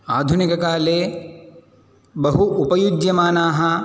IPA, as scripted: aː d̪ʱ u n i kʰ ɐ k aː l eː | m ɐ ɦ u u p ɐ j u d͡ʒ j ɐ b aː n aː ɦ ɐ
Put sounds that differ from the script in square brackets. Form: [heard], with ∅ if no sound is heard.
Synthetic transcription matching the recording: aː d̪ʱ u n i [k] ɐ k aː l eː | [b] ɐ ɦ u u p ɐ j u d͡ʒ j ɐ [m] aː n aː ɦ ɐ